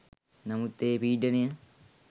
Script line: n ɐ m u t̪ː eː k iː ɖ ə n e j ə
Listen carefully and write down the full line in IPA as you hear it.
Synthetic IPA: n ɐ m u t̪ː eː p iː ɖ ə n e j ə